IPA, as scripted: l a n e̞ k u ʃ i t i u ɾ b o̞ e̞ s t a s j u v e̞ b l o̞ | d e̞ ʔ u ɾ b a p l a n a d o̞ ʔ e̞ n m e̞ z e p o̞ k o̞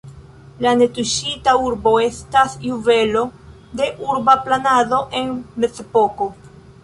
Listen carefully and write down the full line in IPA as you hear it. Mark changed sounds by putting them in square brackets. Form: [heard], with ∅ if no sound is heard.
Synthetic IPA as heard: l a n e̞ [t] u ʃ i t [a] u ɾ b o̞ e̞ s t a s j u v e̞ [∅] l o̞ | d e̞ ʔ u ɾ b a p l a n a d o̞ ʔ e̞ n m e̞ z e p o̞ k o̞